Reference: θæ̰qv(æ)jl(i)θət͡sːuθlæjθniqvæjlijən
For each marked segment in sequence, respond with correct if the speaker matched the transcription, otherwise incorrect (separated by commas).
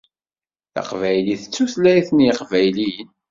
correct, correct